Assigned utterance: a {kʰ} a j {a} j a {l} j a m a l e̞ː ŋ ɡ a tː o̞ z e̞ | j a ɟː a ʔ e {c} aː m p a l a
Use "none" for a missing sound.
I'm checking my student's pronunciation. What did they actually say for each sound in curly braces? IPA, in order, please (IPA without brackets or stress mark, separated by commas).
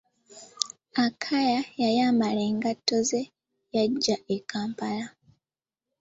kʰ, a, none, k